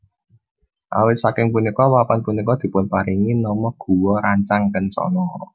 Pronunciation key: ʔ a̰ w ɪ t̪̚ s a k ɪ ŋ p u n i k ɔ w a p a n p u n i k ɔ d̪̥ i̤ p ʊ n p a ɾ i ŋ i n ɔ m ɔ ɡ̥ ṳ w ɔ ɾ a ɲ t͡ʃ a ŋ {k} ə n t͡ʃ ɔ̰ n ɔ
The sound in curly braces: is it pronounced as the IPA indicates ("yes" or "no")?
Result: yes